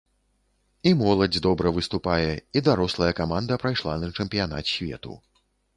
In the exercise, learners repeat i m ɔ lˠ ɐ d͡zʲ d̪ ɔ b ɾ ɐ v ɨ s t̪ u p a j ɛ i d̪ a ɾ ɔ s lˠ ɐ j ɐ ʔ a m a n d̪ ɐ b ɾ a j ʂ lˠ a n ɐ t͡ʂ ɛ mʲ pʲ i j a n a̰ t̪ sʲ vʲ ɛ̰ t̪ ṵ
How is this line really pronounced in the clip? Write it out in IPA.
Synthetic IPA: i m ɔ lˠ ɐ d͡zʲ d̪ ɔ b ɾ ɐ v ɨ s t̪ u p a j ɛ i d̪ a ɾ ɔ s lˠ ɐ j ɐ k a m a n d̪ ɐ p ɾ a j ʂ lˠ a n ɐ t͡ʂ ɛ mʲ pʲ i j a n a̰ t̪ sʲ vʲ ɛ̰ t̪ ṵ